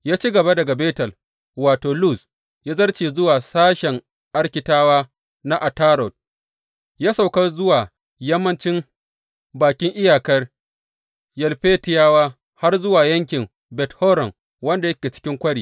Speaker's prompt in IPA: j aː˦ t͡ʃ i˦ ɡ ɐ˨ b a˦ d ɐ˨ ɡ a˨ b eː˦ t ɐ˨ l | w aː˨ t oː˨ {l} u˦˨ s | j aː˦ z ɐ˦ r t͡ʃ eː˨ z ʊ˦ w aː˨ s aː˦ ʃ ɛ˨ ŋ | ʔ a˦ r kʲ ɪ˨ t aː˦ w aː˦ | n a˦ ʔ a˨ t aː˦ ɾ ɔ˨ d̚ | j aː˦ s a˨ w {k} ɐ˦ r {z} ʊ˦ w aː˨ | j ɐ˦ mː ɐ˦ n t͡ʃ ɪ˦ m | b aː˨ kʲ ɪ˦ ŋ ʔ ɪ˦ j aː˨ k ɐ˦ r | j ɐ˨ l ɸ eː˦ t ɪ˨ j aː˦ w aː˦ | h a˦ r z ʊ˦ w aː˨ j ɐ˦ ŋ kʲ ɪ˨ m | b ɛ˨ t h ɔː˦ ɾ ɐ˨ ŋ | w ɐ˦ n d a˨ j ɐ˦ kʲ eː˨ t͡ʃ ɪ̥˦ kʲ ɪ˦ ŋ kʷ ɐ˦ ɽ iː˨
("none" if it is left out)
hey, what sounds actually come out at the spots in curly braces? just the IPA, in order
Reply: l, k, z

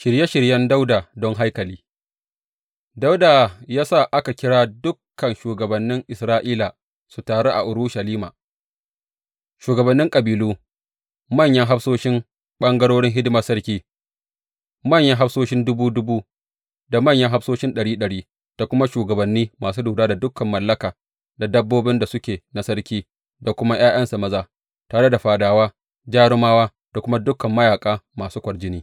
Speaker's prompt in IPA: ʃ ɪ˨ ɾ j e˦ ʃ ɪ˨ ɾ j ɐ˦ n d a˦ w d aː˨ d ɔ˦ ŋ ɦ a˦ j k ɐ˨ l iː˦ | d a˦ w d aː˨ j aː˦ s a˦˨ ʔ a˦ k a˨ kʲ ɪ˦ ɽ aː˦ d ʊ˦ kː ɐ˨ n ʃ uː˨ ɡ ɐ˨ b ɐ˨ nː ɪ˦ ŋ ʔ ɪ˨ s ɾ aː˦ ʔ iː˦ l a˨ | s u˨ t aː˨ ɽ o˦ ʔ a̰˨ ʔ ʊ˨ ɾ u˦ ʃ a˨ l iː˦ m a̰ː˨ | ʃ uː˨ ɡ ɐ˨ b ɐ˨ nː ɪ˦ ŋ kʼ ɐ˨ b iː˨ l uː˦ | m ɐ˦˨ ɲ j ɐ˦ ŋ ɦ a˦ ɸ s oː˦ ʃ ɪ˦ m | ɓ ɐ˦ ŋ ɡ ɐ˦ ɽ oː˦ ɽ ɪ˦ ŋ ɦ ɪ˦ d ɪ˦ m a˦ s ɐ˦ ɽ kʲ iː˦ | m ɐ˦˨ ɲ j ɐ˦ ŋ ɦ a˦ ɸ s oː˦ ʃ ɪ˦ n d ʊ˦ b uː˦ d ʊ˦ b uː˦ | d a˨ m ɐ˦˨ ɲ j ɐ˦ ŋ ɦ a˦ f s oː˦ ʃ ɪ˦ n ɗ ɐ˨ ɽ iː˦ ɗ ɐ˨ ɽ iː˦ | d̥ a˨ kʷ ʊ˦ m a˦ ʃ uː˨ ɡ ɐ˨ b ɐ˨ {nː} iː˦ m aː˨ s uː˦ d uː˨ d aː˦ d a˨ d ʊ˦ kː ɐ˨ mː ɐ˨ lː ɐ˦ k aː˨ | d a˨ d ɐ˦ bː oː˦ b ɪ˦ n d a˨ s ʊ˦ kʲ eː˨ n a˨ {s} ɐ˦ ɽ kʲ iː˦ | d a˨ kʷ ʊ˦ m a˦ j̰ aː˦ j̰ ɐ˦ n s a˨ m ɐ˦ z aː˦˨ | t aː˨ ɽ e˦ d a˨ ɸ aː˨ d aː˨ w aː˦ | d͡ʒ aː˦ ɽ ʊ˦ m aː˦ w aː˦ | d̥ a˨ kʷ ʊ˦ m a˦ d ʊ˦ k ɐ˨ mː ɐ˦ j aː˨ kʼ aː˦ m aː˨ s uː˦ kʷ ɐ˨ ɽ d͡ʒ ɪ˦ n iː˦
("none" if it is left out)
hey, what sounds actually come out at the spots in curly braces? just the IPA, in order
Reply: nː, s

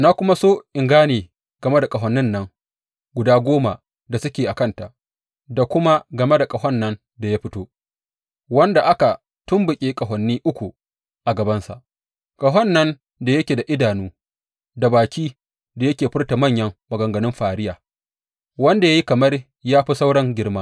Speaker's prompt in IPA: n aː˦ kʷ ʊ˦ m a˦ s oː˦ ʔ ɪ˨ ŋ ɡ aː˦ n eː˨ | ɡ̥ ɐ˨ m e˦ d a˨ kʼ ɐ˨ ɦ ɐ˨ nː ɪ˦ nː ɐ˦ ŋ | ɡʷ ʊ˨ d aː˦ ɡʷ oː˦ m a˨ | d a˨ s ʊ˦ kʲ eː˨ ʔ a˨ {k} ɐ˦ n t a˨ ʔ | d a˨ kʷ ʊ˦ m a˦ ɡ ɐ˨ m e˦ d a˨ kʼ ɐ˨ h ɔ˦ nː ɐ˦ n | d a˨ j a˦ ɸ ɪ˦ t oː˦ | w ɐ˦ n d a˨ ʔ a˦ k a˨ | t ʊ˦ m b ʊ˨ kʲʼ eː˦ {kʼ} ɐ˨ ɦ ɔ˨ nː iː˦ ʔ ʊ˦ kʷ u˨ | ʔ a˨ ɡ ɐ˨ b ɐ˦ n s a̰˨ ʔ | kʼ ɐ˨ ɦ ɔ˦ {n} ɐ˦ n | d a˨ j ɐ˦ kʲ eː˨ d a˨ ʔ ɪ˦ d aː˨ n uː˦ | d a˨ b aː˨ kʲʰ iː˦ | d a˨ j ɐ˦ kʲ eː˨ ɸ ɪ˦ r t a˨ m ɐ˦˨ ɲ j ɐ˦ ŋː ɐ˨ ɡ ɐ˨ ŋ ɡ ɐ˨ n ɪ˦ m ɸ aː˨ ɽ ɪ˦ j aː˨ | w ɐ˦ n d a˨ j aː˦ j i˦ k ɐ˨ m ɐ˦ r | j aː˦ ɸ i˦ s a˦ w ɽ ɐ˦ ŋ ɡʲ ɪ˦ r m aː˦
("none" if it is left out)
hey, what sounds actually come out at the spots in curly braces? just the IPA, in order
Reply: k, kʼ, nː

